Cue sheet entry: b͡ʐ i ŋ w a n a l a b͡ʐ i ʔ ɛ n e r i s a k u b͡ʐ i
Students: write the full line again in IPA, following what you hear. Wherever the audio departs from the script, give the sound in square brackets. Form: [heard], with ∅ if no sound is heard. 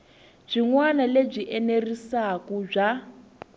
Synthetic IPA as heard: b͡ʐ i ŋ w a n a l [e] b͡ʐ i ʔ ɛ n e r i s a k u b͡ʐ [a]